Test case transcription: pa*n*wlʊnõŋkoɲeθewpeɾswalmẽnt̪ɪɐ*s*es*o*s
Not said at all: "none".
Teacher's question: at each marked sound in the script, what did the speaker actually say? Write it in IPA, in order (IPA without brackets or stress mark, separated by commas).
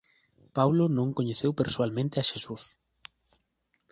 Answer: none, ʃ, u